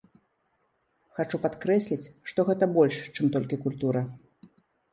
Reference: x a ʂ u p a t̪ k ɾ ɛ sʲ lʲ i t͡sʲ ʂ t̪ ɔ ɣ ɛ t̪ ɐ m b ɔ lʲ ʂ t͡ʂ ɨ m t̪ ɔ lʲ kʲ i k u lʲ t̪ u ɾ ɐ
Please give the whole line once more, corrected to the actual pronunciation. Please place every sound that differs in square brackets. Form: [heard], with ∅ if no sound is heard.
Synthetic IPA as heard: x a [t͡ʂ] u p a t̪ k ɾ ɛ sʲ lʲ i t͡sʲ ʂ t̪ ɔ ɣ ɛ t̪ ɐ [∅] b ɔ lʲ ʂ t͡ʂ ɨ m t̪ ɔ lʲ kʲ i k u lʲ t̪ u ɾ ɐ